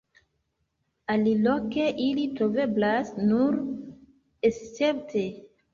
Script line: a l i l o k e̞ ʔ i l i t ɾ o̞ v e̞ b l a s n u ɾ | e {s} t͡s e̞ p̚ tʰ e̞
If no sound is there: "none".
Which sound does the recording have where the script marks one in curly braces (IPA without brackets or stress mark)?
s